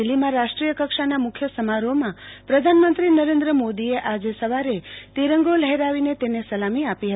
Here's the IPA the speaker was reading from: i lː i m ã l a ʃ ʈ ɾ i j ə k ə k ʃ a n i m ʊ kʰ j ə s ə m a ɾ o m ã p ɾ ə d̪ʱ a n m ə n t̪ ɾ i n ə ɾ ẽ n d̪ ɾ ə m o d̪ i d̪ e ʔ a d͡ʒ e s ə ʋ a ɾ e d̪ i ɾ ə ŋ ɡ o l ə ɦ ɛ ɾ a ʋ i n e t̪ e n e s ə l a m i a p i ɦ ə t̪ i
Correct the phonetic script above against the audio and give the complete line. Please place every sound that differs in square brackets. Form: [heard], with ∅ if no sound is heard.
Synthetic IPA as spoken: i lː i m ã [ɾ] a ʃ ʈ ɾ i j ə k ə k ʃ a n [a] m ʊ kʰ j ə s ə m a ɾ o m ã p ɾ ə d̪ʱ a n m ə n t̪ ɾ i n ə ɾ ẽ n d̪ ɾ ə m o d̪ i [∅] e ʔ a d͡ʒ e s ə ʋ a ɾ e [t̪] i ɾ ə ŋ ɡ o l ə ɦ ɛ ɾ a ʋ i n e t̪ e n e s ə l a m i a p i ɦ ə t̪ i